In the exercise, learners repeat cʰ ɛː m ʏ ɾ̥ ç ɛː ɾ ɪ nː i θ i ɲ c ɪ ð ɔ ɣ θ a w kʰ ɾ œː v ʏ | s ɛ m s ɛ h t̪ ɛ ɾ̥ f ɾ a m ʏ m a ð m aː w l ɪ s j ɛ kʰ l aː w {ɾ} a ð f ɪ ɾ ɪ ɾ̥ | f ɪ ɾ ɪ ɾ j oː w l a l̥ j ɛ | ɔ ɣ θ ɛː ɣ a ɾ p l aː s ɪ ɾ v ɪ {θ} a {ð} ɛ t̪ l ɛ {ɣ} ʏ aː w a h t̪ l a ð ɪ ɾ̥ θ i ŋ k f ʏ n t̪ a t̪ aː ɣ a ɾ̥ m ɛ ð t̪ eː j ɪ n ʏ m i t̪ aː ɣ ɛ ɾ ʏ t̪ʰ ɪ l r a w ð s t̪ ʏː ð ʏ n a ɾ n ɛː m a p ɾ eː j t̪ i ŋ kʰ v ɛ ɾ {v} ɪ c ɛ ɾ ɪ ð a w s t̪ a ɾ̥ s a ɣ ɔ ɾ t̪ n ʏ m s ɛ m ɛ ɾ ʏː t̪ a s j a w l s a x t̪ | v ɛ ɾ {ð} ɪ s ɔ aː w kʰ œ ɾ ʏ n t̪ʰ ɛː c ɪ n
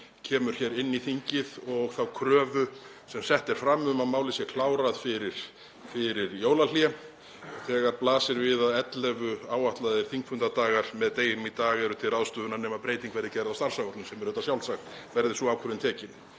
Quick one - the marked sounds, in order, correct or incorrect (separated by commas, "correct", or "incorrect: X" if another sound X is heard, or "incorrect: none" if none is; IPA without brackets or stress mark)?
correct, incorrect: ð, correct, incorrect: v, incorrect: ð, correct